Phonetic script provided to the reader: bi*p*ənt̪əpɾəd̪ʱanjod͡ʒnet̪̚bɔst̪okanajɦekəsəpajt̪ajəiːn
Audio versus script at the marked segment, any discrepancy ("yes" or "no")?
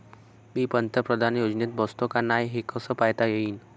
no